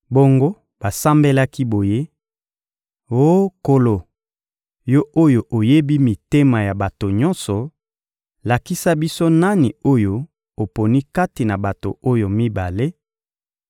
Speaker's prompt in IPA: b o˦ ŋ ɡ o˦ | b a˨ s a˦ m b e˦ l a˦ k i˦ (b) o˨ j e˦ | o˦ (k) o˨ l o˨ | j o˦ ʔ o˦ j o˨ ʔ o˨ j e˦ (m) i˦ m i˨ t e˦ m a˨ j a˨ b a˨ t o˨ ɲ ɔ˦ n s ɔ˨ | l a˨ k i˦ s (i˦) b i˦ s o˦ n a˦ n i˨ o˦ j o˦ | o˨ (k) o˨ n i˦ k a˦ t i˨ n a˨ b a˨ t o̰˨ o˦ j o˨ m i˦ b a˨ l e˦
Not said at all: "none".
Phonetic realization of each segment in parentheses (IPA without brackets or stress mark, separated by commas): b, k, b, a˦, p